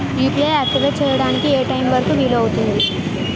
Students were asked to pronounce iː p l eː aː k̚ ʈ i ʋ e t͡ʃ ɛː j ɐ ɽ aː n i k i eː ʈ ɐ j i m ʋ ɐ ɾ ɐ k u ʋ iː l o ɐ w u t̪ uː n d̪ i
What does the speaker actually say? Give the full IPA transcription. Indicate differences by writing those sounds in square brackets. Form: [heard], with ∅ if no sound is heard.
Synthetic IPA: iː p l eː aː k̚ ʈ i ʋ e t͡ʃ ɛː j ɐ ɽ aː n i k i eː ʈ ɐ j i m ʋ ɐ ɾ ɐ k u ʋ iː l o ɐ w u t̪ [u] n d̪ i